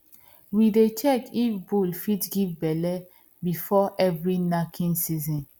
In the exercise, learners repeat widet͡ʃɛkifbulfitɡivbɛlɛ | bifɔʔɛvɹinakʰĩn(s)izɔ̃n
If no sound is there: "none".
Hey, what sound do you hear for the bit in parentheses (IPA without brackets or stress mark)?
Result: s